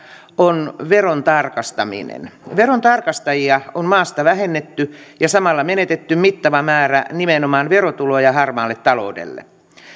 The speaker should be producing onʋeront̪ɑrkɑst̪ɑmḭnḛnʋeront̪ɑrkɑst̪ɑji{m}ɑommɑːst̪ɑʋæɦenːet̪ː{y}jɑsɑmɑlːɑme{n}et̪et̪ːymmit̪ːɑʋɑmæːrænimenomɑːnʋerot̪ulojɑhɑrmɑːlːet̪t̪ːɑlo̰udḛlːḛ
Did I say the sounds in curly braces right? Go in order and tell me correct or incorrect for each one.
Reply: incorrect: none, correct, correct

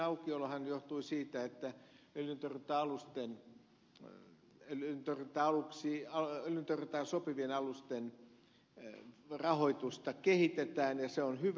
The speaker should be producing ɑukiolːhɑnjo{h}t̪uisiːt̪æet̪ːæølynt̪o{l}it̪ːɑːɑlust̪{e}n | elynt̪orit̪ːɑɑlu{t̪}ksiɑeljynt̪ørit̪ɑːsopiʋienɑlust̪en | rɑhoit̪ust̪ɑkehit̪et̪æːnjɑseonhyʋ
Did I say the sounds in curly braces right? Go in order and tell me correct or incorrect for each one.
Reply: correct, incorrect: r, correct, incorrect: none

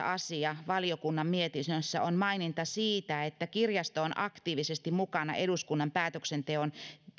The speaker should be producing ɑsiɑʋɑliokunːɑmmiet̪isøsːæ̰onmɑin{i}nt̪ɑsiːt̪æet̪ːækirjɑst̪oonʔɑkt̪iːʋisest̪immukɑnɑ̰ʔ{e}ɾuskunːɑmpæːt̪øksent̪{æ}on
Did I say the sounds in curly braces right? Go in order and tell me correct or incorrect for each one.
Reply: correct, correct, incorrect: e

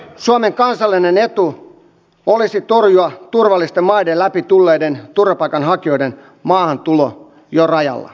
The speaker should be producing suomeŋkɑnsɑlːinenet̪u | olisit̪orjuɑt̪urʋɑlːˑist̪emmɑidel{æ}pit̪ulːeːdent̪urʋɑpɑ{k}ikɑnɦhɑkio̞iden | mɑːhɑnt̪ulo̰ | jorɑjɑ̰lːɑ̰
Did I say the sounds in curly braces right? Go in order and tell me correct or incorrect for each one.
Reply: correct, incorrect: none

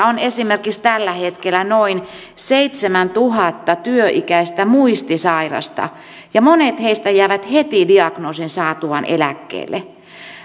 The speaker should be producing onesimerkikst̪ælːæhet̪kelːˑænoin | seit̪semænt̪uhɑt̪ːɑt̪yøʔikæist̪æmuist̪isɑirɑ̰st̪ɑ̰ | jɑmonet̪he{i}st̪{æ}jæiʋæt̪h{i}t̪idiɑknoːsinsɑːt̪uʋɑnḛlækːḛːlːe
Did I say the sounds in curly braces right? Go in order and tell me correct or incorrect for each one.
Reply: correct, correct, incorrect: e

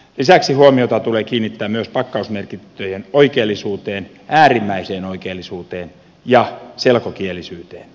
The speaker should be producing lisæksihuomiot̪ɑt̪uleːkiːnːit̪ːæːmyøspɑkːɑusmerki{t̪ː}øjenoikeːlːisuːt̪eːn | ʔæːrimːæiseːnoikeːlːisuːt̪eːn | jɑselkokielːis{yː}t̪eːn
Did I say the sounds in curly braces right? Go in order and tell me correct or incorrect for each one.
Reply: correct, correct

